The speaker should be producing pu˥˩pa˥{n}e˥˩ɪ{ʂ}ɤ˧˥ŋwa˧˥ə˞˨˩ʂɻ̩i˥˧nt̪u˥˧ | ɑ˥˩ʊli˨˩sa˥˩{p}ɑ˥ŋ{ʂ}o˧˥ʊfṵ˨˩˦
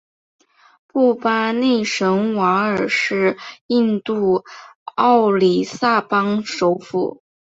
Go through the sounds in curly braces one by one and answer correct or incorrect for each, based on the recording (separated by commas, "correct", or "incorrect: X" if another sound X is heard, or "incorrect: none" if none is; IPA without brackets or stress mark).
correct, correct, correct, correct